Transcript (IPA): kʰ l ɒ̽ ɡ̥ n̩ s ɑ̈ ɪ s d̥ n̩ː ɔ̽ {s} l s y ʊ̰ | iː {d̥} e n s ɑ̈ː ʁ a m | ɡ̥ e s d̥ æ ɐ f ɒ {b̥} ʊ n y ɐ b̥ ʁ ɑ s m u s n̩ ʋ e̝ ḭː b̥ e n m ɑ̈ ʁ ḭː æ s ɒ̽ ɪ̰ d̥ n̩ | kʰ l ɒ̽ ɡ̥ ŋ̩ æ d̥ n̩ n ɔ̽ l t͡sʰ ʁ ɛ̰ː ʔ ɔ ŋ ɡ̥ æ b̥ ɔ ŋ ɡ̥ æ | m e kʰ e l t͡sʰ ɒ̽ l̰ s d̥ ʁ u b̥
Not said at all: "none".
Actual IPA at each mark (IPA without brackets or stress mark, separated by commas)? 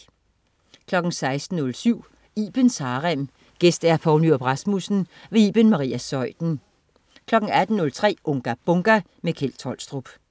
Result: none, b̥, none